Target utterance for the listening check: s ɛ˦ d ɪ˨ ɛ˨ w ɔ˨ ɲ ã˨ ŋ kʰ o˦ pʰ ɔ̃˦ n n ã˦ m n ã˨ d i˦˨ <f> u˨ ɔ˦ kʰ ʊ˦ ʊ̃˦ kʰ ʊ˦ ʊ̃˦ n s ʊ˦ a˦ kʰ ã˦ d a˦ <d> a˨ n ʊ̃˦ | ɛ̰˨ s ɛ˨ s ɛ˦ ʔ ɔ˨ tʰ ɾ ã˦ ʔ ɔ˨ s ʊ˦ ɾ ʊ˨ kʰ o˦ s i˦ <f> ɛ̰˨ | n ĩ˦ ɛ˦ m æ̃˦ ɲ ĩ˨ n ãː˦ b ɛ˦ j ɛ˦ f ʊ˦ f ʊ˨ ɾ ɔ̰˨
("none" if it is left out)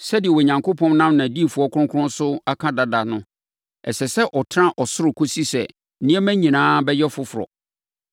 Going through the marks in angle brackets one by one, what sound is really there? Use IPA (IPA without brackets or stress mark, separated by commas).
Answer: f, d, s